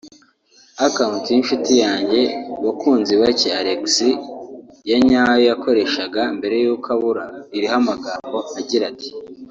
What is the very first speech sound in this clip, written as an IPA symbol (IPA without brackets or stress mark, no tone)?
a